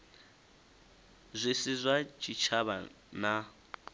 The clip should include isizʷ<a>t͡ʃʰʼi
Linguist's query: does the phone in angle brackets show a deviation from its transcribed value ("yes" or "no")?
no